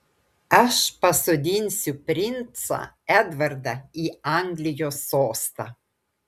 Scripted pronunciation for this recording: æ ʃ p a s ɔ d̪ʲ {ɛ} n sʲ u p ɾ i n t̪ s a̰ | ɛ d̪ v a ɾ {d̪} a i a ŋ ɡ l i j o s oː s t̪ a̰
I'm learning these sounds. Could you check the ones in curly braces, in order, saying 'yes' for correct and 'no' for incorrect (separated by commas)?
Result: no, yes